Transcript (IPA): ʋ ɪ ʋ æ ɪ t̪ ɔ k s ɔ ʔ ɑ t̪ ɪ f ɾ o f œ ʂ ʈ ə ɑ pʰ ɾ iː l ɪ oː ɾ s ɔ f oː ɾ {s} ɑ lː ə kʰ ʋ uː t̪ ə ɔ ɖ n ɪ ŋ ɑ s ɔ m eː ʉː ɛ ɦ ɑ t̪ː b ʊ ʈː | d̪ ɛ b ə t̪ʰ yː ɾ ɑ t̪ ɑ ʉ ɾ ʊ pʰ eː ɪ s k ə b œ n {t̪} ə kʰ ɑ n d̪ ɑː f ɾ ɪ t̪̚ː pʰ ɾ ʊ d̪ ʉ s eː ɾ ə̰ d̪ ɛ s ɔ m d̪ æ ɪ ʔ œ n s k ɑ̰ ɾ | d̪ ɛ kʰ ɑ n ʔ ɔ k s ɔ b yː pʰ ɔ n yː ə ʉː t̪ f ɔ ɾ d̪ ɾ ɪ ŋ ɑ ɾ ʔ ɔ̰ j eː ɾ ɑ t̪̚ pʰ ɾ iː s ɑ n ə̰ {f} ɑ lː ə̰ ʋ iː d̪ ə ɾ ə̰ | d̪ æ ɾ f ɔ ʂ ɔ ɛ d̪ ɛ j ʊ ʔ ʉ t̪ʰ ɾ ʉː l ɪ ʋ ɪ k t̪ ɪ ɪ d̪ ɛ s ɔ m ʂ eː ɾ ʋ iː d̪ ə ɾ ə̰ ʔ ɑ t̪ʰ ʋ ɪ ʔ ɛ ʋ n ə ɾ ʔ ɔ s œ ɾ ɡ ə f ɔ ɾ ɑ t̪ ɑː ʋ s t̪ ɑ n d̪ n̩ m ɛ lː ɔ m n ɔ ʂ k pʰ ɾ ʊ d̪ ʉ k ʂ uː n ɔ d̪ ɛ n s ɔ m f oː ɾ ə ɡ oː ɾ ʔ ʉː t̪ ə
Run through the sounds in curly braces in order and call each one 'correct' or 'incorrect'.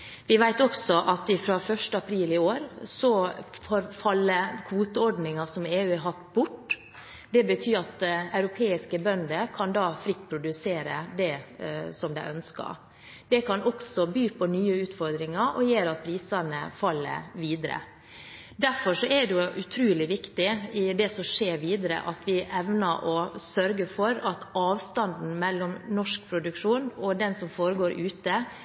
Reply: incorrect: f, incorrect: d̪, correct

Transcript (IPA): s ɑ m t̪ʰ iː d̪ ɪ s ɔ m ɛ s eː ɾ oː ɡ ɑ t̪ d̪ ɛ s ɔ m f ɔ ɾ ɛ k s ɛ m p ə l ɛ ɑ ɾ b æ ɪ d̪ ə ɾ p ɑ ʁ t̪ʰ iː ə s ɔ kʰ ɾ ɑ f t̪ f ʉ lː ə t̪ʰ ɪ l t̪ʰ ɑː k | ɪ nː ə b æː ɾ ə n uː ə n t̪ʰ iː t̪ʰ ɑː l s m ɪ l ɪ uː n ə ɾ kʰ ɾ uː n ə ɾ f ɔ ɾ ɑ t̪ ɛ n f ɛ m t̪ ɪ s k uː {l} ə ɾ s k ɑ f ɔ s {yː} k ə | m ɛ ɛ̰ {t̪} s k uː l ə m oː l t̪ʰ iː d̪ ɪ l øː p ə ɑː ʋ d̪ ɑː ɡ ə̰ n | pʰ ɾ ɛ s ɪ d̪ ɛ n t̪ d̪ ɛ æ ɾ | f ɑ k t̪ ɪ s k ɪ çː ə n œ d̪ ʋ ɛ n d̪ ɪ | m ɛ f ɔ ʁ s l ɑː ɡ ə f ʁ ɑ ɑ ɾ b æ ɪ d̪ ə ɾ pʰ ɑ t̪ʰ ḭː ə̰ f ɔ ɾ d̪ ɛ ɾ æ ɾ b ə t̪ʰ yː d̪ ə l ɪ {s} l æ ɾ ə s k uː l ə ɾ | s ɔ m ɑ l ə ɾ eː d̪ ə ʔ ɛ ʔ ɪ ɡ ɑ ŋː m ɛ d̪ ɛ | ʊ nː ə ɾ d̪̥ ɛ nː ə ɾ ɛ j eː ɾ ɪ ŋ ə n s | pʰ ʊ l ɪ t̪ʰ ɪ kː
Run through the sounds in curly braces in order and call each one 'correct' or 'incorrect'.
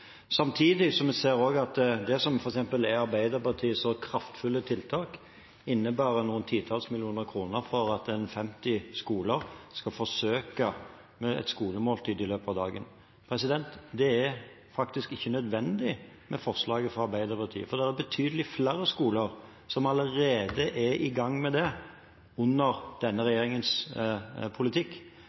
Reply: correct, incorrect: øː, correct, incorrect: f

